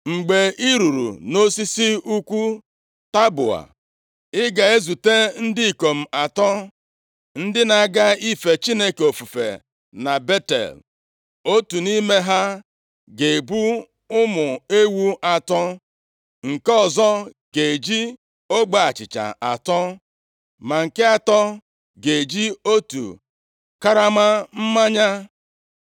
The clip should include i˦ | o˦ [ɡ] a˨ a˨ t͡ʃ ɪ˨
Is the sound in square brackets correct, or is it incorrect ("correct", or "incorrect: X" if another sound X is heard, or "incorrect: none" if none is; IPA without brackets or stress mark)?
incorrect: ɡ͡b